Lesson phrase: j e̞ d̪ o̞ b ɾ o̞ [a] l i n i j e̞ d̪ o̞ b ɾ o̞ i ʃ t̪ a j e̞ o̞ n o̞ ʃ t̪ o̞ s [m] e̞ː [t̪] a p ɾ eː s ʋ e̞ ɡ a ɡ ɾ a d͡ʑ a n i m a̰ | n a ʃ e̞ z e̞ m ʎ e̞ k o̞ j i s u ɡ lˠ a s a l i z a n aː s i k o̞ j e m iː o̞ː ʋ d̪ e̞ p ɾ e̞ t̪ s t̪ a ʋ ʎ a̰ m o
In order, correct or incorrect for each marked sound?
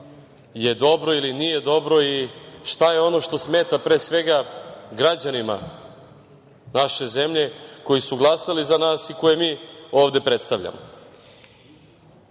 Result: incorrect: i, correct, correct

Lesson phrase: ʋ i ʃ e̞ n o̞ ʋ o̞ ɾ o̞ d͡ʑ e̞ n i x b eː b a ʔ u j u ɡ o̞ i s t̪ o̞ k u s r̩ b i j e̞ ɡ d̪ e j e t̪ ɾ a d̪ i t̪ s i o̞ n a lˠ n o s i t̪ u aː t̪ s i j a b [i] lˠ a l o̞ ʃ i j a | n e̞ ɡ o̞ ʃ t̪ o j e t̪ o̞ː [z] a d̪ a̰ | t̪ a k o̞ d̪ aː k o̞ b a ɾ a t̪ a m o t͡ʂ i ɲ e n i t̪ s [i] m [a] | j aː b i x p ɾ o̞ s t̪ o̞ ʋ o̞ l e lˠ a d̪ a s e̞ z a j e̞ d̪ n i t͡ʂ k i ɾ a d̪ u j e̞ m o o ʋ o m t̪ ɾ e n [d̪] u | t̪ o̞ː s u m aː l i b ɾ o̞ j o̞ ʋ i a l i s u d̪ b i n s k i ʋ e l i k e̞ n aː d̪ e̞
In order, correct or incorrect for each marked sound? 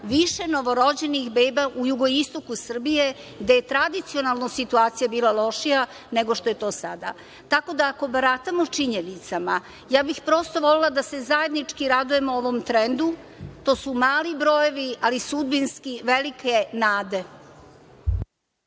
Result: incorrect: iː, incorrect: s, incorrect: a, correct, correct

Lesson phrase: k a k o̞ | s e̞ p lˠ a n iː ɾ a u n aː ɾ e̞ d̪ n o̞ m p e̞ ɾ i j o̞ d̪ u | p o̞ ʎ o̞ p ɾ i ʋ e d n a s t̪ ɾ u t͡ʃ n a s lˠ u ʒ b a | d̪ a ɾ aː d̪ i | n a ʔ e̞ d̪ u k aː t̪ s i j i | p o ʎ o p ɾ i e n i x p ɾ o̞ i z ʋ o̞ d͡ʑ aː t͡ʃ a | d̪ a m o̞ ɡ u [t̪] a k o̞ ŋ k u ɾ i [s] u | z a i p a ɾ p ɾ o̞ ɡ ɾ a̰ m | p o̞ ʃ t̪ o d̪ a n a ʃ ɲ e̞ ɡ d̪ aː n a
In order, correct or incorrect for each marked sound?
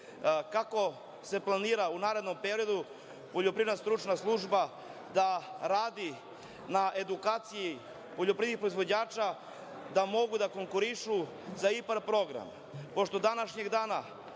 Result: incorrect: d̪, incorrect: ʃ

